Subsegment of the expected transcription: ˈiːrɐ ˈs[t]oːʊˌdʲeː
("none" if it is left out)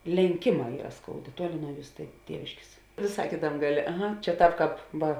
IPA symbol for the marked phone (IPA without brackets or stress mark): k